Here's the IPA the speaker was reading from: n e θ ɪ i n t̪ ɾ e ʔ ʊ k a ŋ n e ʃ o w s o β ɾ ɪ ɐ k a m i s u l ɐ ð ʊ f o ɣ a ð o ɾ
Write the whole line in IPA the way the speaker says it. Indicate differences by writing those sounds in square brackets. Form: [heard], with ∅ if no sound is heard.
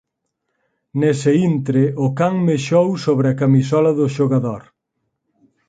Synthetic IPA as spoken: n e [s] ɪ i n t̪ ɾ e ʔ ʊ k a ŋ [m] e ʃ o w s o β ɾ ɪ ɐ k a m i s [ɔ] l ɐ ð ʊ [ʃ] o ɣ a ð o ɾ